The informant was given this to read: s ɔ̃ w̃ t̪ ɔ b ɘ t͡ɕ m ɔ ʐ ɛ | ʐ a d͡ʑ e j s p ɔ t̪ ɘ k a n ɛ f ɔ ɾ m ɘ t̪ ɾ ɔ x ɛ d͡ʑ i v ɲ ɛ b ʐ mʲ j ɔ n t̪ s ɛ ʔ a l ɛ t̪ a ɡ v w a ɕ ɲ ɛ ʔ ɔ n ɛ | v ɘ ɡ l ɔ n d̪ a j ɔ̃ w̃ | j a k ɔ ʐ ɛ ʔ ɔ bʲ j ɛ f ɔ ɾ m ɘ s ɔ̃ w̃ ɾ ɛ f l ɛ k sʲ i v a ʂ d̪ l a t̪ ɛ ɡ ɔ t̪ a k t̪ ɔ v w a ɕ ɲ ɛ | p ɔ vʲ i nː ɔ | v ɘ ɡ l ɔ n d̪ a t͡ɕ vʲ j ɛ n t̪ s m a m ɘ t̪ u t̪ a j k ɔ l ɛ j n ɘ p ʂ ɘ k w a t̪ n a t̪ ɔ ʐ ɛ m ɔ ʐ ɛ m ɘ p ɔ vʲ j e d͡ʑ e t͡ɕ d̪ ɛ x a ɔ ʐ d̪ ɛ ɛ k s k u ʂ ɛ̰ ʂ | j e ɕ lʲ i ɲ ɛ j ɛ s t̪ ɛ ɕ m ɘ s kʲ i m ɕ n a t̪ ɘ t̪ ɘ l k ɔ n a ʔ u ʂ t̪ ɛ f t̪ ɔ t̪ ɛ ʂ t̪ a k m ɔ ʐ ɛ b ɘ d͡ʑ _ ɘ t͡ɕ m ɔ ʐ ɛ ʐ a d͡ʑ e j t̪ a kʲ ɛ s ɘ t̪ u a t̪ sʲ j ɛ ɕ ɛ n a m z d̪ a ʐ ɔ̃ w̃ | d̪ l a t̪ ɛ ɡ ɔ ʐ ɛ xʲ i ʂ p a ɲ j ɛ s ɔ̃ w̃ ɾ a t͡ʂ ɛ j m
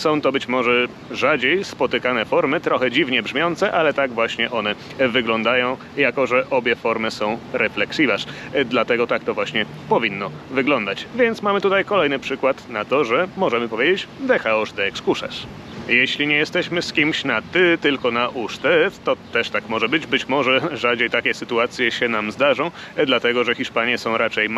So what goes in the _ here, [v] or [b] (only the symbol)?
b